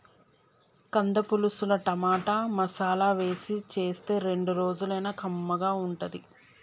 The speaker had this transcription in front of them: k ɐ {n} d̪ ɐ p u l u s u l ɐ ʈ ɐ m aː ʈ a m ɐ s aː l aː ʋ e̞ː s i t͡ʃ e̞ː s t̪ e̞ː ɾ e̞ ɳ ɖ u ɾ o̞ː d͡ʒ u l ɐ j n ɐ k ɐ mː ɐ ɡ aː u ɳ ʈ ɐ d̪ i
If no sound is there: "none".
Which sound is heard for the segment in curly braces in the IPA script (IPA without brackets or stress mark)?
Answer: n